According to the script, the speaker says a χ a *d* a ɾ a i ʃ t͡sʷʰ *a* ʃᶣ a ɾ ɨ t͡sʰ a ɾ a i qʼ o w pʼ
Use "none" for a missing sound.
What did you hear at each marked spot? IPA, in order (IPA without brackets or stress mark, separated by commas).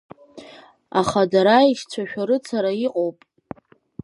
d, a